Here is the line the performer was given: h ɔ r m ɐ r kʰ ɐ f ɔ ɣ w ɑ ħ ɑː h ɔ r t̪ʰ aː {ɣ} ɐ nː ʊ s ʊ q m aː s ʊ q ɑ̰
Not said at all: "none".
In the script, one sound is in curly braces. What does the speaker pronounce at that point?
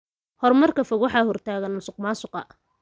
ɣ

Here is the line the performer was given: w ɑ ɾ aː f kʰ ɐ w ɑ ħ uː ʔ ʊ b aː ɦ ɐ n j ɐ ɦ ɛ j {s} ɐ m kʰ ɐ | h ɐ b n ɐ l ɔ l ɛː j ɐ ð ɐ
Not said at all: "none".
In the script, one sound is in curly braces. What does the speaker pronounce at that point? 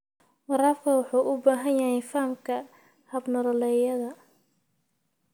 f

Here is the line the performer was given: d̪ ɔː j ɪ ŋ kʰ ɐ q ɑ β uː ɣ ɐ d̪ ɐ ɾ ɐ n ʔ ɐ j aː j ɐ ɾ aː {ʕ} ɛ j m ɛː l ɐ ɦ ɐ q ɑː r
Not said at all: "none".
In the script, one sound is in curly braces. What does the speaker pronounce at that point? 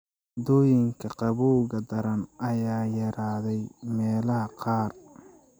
ð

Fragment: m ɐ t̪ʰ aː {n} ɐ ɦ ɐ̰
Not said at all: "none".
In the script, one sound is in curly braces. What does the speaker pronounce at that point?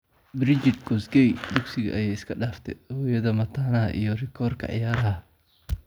n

